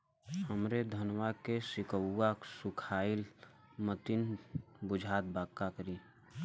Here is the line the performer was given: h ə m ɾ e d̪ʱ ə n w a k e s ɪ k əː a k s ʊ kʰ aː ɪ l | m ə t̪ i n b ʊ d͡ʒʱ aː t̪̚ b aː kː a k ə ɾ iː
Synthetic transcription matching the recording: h ə m ɾ e d̪ʱ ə n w a k e s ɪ k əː a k s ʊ kʰ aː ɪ l | m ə t̪ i n b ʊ d͡ʒʱ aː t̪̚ b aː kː a k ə ɾ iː